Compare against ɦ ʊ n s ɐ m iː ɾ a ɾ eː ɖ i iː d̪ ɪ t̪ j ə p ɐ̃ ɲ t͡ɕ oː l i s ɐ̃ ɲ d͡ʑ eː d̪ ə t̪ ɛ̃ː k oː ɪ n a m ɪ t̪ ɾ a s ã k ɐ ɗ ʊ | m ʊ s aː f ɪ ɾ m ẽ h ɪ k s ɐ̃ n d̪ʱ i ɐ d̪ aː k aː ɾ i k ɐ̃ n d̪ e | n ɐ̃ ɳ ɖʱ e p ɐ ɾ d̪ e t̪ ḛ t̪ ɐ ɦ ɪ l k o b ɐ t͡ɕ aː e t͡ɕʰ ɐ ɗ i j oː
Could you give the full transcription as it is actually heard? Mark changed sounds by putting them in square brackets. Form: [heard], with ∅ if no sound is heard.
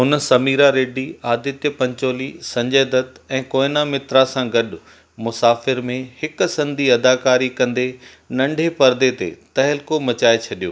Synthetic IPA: ɦ ʊ n s ɐ m iː ɾ a ɾ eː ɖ i [aː] d̪ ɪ t̪ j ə p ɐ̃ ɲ t͡ɕ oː l i s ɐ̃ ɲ d͡ʑ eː d̪ ə t̪ ɛ̃ː k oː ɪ n a m ɪ t̪ ɾ a s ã [ɡ] ɐ ɗ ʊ | m ʊ s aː f ɪ ɾ m ẽ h ɪ k s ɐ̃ n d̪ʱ i ɐ d̪ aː k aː ɾ i k ɐ̃ n d̪ e | n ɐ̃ ɳ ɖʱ e p ɐ ɾ d̪ e t̪ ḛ t̪ ɐ ɦ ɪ l k o [m] ɐ t͡ɕ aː e t͡ɕʰ ɐ ɗ i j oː

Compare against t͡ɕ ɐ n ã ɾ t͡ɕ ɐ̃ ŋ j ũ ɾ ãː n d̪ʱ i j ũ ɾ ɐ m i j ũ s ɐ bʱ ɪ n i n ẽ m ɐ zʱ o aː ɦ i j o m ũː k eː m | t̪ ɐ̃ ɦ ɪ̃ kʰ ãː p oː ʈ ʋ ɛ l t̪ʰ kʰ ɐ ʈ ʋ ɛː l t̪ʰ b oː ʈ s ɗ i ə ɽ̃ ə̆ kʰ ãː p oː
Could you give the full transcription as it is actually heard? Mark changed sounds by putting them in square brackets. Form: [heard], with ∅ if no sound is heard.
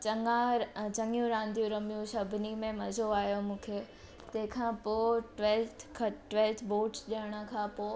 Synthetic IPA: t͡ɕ ɐ [ŋ] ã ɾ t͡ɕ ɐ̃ ŋ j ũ ɾ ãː n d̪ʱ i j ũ ɾ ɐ m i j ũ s ɐ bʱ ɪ n i [m] ẽ m ɐ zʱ o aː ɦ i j o m ũː [kʰ] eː [∅] | t̪ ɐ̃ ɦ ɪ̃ kʰ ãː p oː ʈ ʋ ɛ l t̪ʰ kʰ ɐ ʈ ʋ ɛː l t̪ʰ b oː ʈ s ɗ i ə ɽ̃ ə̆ kʰ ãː p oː

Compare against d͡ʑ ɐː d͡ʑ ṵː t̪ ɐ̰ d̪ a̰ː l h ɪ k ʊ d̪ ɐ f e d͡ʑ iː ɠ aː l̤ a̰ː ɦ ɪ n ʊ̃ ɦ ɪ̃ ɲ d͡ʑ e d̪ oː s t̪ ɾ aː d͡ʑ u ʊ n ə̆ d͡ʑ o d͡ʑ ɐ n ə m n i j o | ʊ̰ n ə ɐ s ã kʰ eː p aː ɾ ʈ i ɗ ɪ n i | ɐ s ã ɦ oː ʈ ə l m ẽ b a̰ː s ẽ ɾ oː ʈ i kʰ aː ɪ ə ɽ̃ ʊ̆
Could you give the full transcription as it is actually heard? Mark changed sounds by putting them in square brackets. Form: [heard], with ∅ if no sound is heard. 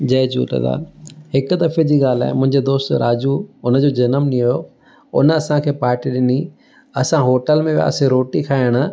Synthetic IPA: d͡ʑ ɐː d͡ʑ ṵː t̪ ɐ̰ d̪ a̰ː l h ɪ k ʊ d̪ ɐ f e d͡ʑ iː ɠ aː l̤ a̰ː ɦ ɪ [m] ʊ̃ ɦ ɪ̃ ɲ d͡ʑ e d̪ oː s t̪ ɾ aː d͡ʑ u ʊ n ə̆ d͡ʑ o d͡ʑ ɐ n ə m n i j o | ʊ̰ n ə ɐ s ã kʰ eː p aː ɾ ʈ i ɗ ɪ n i | ɐ s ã ɦ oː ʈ ə l m ẽ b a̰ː s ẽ ɾ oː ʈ i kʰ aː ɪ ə ɽ̃ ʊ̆

